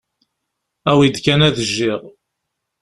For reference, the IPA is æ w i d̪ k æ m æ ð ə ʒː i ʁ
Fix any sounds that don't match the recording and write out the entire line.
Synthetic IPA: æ w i d̪ k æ n æ ð ə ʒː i ʁ